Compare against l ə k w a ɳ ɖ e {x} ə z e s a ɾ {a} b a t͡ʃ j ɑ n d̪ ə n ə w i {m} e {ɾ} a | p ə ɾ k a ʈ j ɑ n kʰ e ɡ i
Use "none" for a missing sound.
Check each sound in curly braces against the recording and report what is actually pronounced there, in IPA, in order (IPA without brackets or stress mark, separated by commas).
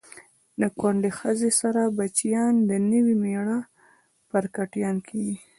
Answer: x, a, m, ɽ